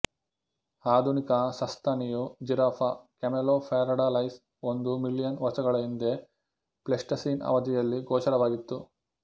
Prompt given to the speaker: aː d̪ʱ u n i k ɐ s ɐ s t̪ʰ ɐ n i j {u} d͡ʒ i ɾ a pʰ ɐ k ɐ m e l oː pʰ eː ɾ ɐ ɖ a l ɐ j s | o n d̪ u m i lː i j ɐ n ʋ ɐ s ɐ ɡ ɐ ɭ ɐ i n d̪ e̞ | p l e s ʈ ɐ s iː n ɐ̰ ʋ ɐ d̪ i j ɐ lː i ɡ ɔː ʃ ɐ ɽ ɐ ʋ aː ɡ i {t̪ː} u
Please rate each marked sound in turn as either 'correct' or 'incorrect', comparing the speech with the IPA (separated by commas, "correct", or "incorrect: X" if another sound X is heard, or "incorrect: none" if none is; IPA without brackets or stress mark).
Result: correct, correct